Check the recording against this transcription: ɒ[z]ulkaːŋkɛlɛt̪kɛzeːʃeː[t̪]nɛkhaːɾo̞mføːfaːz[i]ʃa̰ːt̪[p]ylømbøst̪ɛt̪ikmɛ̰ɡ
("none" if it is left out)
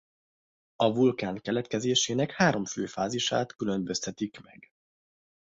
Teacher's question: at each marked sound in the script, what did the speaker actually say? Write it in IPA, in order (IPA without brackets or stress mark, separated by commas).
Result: v, none, i, k